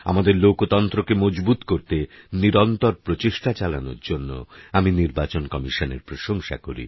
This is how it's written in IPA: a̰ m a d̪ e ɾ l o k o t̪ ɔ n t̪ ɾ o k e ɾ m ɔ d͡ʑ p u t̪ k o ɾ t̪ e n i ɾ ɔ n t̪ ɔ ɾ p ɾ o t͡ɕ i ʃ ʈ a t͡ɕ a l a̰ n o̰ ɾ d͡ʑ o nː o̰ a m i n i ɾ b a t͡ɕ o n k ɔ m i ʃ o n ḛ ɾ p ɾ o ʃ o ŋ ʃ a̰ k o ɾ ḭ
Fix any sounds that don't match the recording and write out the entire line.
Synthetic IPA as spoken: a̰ m a d̪ e ɾ l o k o t̪ ɔ n t̪ ɾ o k e m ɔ d͡ʑ b u t̪ k o ɾ t̪ e n i ɾ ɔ n t̪ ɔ ɾ p ɾ o t͡ɕ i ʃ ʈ a t͡ɕ a l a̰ n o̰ ɾ d͡ʑ o nː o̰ a m i n i ɾ b a t͡ɕ o n k ɔ m i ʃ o n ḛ ɾ p ɾ o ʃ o ŋ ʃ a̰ k o ɾ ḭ